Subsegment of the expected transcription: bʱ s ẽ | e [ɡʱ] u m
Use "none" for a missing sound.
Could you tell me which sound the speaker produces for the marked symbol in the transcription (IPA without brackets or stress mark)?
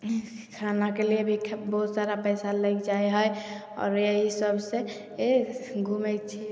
ɡʱ